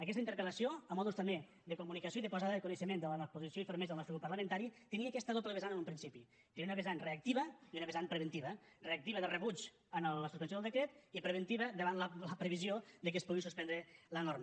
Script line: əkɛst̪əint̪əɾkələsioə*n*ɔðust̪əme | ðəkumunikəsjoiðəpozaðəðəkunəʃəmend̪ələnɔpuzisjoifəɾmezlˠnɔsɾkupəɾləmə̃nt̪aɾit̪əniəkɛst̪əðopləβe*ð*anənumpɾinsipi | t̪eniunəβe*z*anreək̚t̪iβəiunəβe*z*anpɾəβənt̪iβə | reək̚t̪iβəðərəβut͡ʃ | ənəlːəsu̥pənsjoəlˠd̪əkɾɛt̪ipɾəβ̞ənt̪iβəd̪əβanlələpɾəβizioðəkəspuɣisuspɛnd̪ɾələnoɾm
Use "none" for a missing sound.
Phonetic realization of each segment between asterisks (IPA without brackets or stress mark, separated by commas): m, z, z, z